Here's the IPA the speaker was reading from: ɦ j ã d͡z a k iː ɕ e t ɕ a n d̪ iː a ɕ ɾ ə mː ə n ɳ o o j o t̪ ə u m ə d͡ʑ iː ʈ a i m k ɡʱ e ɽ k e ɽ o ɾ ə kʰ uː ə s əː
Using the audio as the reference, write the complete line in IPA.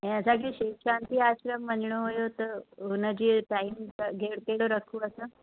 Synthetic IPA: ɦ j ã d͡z a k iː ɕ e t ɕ a n t̪ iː a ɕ ɾ ə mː ə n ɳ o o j o t̪ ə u n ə d͡ʑ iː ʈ a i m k ɡʱ e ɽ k e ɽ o ɾ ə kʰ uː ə s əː